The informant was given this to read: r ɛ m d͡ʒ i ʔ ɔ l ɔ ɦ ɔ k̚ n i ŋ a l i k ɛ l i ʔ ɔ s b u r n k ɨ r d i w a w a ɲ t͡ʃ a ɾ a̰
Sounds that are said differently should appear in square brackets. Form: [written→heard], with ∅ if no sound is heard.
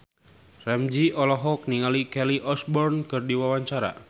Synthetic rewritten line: r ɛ m d͡ʒ i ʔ ɔ l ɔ ɦ ɔ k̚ n i ŋ a l i k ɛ l i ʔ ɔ s b [u→ɔ] r n k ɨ r d i w a w a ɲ t͡ʃ a ɾ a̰